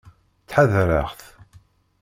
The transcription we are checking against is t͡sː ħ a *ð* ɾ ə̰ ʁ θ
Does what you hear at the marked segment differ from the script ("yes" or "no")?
no